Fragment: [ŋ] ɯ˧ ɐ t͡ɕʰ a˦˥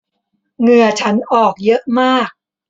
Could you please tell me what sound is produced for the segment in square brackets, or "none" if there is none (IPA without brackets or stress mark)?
ŋ